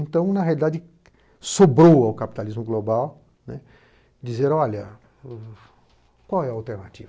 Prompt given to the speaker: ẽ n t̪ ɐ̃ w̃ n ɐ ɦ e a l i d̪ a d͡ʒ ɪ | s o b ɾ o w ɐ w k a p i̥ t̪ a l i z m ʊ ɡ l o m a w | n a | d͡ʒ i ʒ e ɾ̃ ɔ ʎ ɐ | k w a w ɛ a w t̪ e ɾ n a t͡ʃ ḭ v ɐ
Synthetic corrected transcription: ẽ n t̪ ɐ̃ w̃ n ɐ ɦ e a l i d̪ a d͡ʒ ɪ | s o b ɾ o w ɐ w k a p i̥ t̪ a l i z m ʊ ɡ l o b a w | n ɛ | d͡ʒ i z e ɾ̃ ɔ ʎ ɐ | k w a w ɛ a w t̪ e ɾ n a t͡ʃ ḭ v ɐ

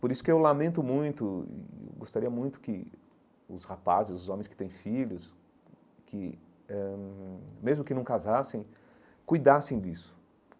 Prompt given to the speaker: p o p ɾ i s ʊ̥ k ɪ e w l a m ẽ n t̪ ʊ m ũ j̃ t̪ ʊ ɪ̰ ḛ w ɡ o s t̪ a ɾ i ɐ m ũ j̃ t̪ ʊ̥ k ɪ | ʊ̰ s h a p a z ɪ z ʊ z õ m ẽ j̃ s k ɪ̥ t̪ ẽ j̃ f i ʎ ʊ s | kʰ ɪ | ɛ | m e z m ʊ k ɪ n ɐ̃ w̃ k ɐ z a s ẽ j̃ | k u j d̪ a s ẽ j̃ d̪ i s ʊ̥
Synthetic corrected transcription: p o ɾ i s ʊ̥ k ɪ e w l a m ẽ n t̪ ʊ m ũ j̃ t̪ ʊ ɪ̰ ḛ w ɡ o s t̪ a ɾ i ɐ m ũ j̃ t̪ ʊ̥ k ɪ | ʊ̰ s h a p a z ɪ z ʊ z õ m ẽ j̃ s k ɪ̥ t̪ ẽ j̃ f i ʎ ʊ s | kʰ ɪ | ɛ | m e z m ʊ k ɪ n ɐ̃ w̃ k a z a s ẽ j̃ | k u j d̪ a s ẽ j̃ d̪ i s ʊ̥

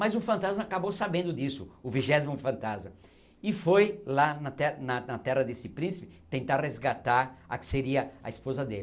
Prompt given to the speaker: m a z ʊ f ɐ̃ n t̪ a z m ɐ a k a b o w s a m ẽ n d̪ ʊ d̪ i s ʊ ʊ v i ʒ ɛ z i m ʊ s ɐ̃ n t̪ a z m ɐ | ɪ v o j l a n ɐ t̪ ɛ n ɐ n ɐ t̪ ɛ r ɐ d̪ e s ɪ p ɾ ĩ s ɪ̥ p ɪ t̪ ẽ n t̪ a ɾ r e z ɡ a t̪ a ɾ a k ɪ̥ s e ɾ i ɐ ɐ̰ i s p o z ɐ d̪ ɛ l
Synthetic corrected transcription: m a z ʊ f ɐ̃ n t̪ a z m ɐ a k a b o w s a b ẽ n d̪ ʊ d̪ i s ʊ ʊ v i ʒ ɛ z i m ʊ f ɐ̃ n t̪ a z m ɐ | ɪ f o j l a n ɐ t̪ ɛ n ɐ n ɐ t̪ ɛ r ɐ d̪ e s ɪ p ɾ ĩ s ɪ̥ p ɪ t̪ ẽ n t̪ a ɾ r e z ɡ a t̪ a ɾ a k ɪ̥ s e ɾ i ɐ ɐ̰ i s p o z ɐ d̪ e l

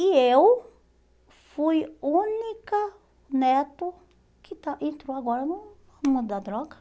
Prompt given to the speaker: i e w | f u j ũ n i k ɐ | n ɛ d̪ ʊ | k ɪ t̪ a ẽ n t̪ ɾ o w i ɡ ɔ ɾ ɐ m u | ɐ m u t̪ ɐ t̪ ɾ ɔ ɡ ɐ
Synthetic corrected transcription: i e w | f u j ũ n i k ɐ | n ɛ t̪ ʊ | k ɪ t̪ a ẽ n t̪ ɾ o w a ɡ ɔ ɾ ɐ n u | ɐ m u d̪ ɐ d̪ ɾ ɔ ɡ ɐ

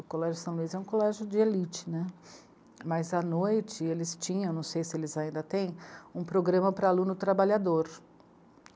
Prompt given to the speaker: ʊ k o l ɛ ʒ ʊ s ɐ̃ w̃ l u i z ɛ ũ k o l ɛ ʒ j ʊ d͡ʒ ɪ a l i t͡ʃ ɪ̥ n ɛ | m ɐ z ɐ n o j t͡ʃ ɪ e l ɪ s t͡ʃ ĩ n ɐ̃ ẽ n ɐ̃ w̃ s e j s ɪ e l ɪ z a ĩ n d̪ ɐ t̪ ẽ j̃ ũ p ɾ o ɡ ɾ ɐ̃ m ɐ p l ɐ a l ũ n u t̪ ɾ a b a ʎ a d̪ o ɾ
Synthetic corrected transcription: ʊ k o l ɛ ʒ ʊ s ɐ̃ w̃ l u i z ɛ ũ k o l ɛ ʒ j ʊ d͡ʒ ɪ e l i t͡ʃ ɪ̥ n ɛ | m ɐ z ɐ n o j t͡ʃ ɪ e l ɪ s t͡ʃ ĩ ɲ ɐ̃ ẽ n ɐ̃ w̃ s e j s ɪ e l ɪ z a ĩ n d̪ ɐ t̪ ẽ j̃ ũ p ɾ o ɡ ɾ ɐ̃ m ɐ p ɾ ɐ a l ũ n ʊ t̪ ɾ a b a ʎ a d̪ o ɾ

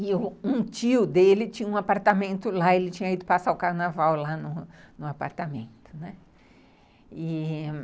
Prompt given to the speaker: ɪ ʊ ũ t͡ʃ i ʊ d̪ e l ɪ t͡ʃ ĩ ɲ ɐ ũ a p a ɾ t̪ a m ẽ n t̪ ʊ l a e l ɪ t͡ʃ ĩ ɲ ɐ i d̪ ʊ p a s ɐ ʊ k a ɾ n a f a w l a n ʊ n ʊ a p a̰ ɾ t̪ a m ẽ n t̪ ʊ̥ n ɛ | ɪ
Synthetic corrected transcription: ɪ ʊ ũ t͡ʃ i ʊ d̪ e l ɪ t͡ʃ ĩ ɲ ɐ ũ a p a ɾ t̪ a m ẽ n t̪ ʊ l a e l ɪ t͡ʃ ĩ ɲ ɐ i d̪ ʊ p a s a ʊ k a ɾ n a v a w l a n ʊ n ʊ a p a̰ ɾ t̪ a m ẽ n t̪ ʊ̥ n ɛ | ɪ

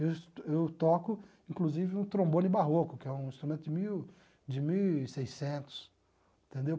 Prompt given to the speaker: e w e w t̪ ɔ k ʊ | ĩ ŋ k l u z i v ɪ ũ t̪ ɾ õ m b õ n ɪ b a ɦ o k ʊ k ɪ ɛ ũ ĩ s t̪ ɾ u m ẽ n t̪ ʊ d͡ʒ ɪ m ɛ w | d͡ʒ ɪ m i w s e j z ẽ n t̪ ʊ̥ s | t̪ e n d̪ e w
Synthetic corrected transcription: e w e w t̪ ɔ k ʊ | ĩ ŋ k l u z i v ɪ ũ t̪ ɾ õ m b õ n ɪ b a ɦ o k ʊ k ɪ ɛ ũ ĩ s t̪ ɾ u m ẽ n t̪ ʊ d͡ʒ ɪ m i w | d͡ʒ ɪ m i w s e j s ẽ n t̪ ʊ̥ s | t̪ ẽ n d̪ e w

